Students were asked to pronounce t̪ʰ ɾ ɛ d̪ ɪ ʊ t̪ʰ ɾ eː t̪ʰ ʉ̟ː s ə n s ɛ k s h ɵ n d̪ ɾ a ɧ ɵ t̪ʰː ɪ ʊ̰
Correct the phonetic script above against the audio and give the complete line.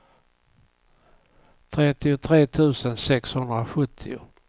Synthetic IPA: t̪ʰ ɾ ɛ t̪ ɪ ʊ t̪ʰ ɾ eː t̪ʰ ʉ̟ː s ə n s ɛ k s h ɵ n d̪ ɾ a ɧ ɵ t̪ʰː ɪ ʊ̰